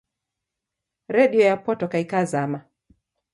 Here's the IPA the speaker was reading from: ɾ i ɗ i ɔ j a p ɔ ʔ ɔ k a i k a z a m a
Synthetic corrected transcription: ɾ ɛ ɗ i ɔ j a p ɔ t ɔ k a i k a z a m a

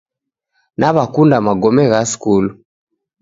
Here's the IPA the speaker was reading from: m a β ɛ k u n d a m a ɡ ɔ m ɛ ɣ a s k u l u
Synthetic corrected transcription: n a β a k u n d a m a ɡ ɔ m ɛ ɣ a s k u l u

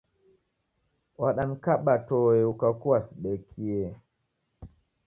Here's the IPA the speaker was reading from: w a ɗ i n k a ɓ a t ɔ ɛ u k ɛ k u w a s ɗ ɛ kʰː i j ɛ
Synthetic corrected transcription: w a ɗ a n k a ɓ a t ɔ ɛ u k a k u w a s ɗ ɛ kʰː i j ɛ

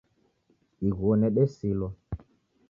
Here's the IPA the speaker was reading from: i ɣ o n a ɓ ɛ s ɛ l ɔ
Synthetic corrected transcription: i ɣ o n ɛ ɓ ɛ s i l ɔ

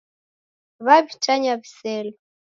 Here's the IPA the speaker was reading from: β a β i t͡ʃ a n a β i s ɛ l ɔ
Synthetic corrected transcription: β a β i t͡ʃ a ɲ a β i s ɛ l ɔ

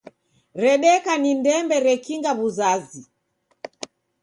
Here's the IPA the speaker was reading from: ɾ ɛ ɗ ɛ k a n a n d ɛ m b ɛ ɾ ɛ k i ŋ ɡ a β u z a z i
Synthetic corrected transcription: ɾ ɛ ɗ ɛ k a n i n d ɛ m b ɛ ɾ ɛ k i ŋ ɡ a β u z a z i

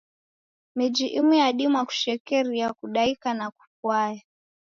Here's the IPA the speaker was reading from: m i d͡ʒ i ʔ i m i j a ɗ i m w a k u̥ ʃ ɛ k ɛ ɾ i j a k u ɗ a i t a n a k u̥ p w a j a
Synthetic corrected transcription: m i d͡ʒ i ʔ i m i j a ɗ i m w a k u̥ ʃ ɛ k ɛ ɾ i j a k u ɗ a i k a n a k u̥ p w a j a

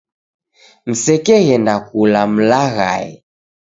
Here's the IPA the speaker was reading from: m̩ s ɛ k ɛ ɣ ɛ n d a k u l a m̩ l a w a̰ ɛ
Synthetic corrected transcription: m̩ s ɛ k ɛ ɣ ɛ n d a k u l a m̩ l a ɣ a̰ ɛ

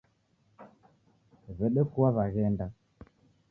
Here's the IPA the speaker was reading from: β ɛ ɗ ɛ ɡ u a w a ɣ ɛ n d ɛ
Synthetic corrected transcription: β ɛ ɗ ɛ k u a β a ɣ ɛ n d a

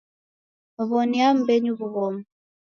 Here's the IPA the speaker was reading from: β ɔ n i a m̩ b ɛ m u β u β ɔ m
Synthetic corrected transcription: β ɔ n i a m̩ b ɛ ɲ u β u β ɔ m

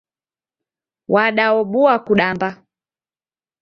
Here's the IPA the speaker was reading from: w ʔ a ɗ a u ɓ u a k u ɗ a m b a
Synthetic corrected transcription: w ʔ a ɗ a ɔ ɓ u a k u ɗ a m b a

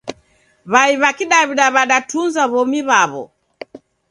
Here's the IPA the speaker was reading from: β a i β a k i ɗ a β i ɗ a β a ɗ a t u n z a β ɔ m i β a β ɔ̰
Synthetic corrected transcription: β a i β a k i ɗ a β i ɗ a β a ɗ a t u n z a β ɔ m i β a β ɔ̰

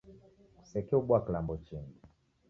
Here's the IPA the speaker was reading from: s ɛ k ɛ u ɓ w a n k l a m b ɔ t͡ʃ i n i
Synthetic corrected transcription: s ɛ k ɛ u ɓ w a k l a m b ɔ t͡ʃ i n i

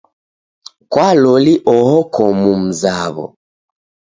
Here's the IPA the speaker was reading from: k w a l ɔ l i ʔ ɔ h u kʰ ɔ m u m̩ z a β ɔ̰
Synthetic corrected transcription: k w a l ɔ l i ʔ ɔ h ɔ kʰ ɔ m u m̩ z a β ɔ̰

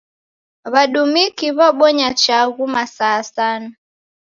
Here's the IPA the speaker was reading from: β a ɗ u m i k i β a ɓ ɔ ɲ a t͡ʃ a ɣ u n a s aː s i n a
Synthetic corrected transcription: β a ɗ u m i k i β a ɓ ɔ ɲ a t͡ʃ a ɣ u m a s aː s a n a

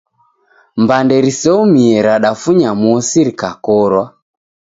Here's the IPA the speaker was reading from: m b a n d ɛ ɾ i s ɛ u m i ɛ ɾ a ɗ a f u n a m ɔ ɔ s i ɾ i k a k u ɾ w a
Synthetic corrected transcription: m b a n d ɛ ɾ i s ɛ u m i ɛ ɾ a ɗ a f u ɲ a m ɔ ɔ s i ɾ i k a k ɔ ɾ w a

